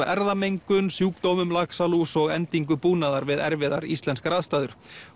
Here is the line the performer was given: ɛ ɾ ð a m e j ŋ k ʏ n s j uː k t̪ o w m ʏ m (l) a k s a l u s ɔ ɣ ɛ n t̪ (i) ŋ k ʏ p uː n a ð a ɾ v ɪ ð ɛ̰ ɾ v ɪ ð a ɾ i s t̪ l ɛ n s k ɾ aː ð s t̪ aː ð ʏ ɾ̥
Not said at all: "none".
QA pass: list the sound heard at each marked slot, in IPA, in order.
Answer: l, i

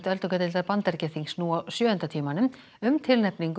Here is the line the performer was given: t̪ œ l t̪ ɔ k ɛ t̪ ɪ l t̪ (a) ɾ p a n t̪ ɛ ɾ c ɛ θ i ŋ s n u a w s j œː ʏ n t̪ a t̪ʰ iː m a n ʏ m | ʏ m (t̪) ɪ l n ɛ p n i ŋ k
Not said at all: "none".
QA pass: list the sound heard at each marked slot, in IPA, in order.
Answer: a, t̪ʰ

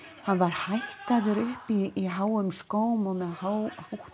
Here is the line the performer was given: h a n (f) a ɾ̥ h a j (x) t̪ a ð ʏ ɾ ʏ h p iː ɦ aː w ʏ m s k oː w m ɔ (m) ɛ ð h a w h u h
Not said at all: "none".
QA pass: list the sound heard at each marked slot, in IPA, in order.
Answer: v, h, m

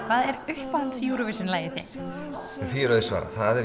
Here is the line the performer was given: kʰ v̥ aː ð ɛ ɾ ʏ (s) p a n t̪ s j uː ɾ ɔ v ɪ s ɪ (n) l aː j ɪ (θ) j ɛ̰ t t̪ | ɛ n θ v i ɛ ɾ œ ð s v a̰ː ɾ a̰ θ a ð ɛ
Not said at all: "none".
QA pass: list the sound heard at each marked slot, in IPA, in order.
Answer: h, n, θ

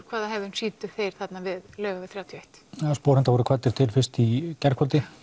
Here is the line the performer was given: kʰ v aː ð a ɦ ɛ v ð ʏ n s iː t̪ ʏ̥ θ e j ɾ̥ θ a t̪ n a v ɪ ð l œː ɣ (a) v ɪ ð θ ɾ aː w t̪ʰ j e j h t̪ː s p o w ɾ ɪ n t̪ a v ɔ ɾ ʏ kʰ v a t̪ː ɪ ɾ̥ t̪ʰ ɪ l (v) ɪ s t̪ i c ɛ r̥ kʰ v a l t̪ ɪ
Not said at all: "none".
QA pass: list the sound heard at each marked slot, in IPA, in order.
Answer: a, f

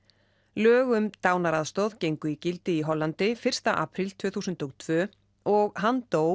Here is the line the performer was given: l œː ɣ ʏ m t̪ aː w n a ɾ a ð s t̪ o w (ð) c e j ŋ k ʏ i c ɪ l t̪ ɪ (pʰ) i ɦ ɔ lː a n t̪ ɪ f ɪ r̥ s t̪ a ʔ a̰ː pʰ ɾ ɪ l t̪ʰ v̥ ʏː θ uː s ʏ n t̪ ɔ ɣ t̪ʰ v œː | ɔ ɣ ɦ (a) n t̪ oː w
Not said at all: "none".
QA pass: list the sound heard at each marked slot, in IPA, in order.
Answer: ð, none, a

